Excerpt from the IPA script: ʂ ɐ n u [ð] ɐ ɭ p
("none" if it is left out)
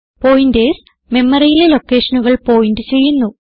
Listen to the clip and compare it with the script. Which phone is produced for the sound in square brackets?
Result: ɣ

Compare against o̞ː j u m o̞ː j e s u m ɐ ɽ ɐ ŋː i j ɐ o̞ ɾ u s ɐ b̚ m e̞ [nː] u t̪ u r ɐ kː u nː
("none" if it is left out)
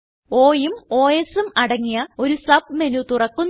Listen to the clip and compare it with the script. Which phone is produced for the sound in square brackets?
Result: n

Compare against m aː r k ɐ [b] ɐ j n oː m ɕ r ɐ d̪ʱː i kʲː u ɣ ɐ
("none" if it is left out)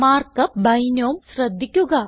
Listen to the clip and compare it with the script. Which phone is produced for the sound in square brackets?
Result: b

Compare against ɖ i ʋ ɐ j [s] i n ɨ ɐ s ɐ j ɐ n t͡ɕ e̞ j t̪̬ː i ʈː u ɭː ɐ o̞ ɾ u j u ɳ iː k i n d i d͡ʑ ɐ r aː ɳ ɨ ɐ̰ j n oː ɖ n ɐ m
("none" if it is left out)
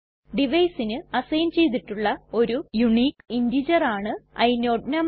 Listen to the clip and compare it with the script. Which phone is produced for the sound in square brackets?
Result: s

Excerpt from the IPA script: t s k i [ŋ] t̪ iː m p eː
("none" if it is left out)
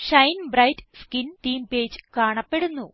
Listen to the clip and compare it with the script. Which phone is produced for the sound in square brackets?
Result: n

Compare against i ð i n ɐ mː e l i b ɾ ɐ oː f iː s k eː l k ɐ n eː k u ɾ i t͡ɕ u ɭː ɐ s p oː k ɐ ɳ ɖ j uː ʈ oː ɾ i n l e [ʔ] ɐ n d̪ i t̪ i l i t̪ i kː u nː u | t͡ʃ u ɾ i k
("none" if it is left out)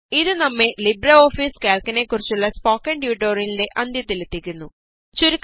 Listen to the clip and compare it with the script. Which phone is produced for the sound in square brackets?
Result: ʔ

